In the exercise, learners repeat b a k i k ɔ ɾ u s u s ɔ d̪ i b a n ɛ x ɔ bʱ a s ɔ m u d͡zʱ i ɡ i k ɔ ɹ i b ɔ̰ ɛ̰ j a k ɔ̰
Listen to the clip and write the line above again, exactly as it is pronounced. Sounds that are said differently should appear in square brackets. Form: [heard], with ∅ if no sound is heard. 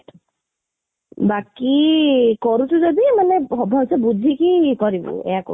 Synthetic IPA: b a k i k ɔ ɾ u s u [z] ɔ d̪ i [m] a n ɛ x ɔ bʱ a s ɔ [b] u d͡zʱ i [k] i k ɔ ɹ i b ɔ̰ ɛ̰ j a k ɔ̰